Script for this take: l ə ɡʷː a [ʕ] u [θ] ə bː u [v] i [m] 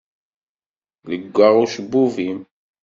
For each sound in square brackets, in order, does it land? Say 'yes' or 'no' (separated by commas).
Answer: no, no, yes, yes